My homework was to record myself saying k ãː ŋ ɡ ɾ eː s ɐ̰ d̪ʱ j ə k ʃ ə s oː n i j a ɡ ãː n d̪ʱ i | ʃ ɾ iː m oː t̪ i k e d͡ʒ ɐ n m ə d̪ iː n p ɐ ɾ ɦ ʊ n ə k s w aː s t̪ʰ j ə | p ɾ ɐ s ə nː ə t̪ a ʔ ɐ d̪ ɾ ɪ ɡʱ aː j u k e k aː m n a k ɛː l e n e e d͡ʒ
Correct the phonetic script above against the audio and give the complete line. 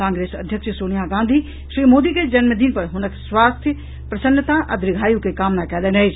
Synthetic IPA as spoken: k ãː ŋ ɡ ɾ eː s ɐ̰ d̪ʱ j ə k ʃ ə s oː n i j a ɡ ãː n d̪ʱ i | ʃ ɾ iː m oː d̪ i k e d͡ʒ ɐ n m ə d̪ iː n p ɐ ɾ ɦ ʊ n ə k s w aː s t̪ʰ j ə | p ɾ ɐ s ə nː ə t̪ a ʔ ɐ d̪ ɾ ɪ ɡʱ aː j u k e k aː m n a k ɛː l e n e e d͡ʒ